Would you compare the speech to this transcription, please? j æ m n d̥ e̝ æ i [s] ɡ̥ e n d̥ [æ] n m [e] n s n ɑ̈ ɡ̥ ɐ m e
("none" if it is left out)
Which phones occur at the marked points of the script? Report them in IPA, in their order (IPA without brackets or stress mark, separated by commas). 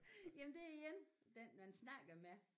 none, e, æ